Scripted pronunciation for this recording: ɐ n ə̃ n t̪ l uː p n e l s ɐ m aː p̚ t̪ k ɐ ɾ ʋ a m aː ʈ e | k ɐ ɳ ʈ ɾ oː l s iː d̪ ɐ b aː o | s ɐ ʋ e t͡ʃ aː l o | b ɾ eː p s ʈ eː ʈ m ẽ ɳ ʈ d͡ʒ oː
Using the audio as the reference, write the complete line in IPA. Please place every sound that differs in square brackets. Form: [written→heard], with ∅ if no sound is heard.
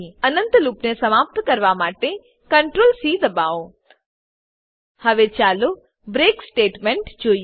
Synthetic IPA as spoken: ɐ n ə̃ n t̪ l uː p n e [l→∅] s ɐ m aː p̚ t̪ k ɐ ɾ ʋ a m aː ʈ e | k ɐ ɳ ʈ ɾ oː l s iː d̪ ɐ b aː o | [s→h] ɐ ʋ e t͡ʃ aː l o | b ɾ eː [p→k] s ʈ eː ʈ m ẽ ɳ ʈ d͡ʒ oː